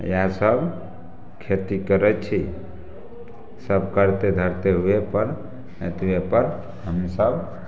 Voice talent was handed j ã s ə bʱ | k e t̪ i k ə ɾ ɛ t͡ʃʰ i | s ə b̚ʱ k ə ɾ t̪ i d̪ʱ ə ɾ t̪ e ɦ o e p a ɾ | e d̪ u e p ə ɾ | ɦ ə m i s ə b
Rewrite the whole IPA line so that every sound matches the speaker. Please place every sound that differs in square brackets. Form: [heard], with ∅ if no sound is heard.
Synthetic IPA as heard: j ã s ə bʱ | [kʰ] e t̪ i k ə ɾ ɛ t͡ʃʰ i | s ə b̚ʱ k ə ɾ t̪ [e] d̪ʱ ə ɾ t̪ e ɦ [u] e p [ə] ɾ | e [t̪] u e p ə ɾ | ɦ ə m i s ə b